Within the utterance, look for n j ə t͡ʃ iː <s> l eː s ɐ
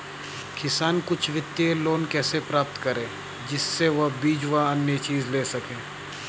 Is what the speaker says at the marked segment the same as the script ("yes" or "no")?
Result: no